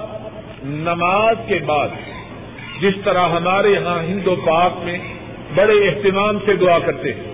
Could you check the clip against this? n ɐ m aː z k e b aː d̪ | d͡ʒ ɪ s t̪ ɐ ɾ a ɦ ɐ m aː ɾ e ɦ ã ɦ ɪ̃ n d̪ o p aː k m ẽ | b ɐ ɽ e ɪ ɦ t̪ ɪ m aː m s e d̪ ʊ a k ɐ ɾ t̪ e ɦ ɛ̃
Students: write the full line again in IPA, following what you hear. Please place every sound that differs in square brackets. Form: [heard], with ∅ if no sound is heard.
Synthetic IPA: n ɐ m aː z k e b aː d̪ | d͡ʒ ɪ s t̪ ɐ ɾ a ɦ ɐ m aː ɾ e ɦ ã ɦ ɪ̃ n d̪ o p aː k m ẽ | b ɐ ɽ e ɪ ɦ t̪ ɪ m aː m s e d̪ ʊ a k ɐ ɾ t̪ e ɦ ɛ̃